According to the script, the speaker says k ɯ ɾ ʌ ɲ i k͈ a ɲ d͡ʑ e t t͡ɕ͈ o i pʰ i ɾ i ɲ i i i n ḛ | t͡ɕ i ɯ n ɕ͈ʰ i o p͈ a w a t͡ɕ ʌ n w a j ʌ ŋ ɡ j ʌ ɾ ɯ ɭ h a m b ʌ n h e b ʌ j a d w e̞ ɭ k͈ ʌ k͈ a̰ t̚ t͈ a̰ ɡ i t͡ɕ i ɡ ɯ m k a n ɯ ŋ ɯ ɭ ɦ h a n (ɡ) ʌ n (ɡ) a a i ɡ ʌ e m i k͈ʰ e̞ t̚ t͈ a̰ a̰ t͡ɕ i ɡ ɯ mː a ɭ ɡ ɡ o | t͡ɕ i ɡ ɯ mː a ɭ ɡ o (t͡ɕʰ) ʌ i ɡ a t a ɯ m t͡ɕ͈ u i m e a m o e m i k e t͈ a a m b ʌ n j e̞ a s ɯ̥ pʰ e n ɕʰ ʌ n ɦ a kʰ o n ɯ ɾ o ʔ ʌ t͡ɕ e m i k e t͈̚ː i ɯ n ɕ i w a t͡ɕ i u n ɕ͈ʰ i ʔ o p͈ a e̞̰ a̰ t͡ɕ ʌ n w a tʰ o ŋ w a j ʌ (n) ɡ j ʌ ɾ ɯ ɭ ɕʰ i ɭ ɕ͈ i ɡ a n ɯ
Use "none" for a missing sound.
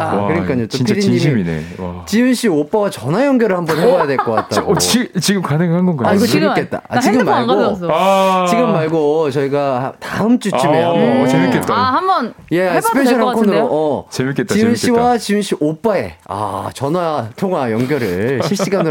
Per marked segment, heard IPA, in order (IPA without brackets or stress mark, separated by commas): ɡ, ɡ, t͡ɕ, ŋ